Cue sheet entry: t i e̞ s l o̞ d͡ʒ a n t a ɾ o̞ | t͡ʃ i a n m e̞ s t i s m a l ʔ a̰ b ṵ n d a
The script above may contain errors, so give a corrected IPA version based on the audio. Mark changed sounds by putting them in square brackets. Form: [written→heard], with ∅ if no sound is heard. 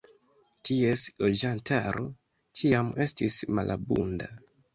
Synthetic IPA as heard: t i e̞ s l o̞ d͡ʒ a n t a ɾ o̞ | t͡ʃ i a [n→∅] m e̞ s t i s m a l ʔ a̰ b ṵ n d a